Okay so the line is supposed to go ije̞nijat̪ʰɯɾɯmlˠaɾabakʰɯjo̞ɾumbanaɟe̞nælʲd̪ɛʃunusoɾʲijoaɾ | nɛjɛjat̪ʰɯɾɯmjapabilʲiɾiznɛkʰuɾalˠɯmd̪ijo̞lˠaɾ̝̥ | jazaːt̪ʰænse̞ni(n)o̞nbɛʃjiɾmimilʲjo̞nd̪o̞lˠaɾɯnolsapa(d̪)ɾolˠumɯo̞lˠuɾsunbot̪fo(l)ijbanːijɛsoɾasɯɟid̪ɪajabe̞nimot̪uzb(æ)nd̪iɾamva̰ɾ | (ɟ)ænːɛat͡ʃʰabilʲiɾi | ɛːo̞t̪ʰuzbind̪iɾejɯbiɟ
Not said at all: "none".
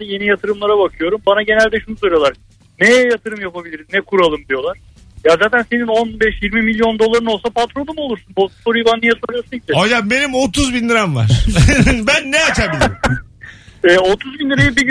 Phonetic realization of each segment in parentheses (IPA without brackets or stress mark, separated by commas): n, t̪, ɾ, i, b